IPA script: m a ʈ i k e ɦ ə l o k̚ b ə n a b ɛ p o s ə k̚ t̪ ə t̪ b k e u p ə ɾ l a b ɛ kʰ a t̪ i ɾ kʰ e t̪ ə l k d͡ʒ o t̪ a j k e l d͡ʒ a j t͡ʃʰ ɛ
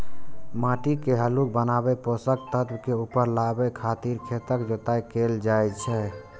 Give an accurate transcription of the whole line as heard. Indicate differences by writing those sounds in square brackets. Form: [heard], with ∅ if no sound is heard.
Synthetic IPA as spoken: m a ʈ i k e ɦ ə l [u] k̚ b ə n a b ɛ p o s ə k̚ t̪ ə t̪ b k e u p ə ɾ l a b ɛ kʰ a t̪ i ɾ kʰ e t̪ ə [∅] k d͡ʒ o t̪ a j k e l d͡ʒ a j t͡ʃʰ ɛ